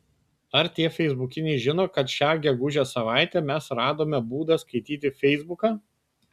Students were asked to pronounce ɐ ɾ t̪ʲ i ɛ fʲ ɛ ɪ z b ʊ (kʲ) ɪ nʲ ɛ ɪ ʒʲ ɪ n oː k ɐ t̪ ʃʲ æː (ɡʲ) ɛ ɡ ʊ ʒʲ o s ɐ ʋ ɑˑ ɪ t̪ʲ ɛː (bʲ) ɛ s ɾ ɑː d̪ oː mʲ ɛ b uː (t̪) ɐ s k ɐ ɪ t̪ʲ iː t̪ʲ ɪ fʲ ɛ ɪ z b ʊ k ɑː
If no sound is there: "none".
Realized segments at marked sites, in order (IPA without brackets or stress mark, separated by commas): kʲ, ɡʲ, mʲ, d̪